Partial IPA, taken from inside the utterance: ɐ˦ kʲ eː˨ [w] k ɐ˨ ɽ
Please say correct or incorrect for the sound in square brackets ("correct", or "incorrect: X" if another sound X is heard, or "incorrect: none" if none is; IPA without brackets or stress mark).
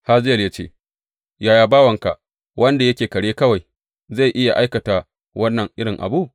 incorrect: none